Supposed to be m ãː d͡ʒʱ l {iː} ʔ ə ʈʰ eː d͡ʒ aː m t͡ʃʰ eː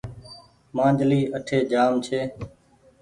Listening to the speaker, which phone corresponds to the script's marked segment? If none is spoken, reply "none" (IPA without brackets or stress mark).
iː